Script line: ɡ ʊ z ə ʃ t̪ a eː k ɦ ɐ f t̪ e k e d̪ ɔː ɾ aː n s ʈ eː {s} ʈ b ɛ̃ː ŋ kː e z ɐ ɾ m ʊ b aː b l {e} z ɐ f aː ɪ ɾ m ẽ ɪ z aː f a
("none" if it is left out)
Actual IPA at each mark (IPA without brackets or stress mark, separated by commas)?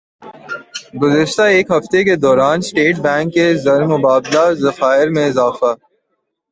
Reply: none, a